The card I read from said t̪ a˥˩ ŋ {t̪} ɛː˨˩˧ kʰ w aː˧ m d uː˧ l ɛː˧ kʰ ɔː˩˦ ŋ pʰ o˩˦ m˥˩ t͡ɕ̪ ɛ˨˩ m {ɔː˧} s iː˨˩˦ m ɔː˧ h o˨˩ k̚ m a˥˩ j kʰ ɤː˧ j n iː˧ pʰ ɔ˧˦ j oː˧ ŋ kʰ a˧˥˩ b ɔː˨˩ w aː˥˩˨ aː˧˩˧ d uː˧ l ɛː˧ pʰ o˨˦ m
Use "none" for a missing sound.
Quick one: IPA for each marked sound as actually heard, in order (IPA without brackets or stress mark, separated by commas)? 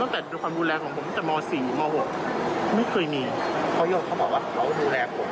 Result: t̪, ɔː˧